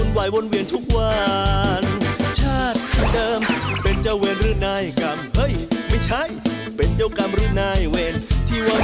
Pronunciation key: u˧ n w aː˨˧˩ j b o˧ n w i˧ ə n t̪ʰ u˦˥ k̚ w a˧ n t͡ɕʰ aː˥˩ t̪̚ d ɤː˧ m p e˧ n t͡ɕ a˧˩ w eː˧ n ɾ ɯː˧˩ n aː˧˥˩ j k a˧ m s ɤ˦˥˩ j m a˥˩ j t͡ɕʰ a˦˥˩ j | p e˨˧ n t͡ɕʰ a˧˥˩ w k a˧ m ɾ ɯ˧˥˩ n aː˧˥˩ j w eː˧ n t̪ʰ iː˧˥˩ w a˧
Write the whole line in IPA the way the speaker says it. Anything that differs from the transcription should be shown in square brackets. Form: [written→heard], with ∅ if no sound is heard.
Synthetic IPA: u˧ n w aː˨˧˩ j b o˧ n w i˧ ə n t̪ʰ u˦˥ k̚ w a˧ n t͡ɕʰ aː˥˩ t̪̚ d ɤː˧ m p e˧ n t͡ɕ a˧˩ w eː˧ n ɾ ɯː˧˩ n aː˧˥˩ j k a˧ m [s→h] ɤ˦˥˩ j m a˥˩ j t͡ɕʰ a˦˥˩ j | p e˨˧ n [t͡ɕʰ→t͡ɕ] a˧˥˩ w k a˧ m ɾ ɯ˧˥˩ n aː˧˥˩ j w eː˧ n t̪ʰ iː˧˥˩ w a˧